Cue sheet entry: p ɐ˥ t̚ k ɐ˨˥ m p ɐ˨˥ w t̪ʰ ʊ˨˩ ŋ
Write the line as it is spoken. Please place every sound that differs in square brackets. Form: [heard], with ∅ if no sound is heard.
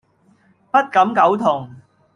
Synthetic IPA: p ɐ˥ t̚ k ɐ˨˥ m [k] ɐ˨˥ w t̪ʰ ʊ˨˩ ŋ